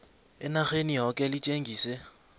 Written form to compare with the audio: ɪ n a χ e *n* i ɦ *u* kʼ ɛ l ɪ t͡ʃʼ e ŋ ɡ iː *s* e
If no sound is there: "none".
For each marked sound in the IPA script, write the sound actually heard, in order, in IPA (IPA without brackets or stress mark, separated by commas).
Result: n, ɔ, s